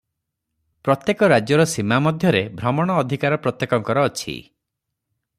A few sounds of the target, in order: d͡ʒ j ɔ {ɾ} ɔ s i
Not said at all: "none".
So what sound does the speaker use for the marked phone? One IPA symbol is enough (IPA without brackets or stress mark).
ɾ